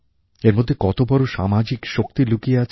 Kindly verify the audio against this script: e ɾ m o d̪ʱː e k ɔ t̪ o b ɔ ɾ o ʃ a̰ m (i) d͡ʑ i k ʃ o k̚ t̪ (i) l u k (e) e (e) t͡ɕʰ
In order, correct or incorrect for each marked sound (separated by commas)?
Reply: incorrect, correct, incorrect, incorrect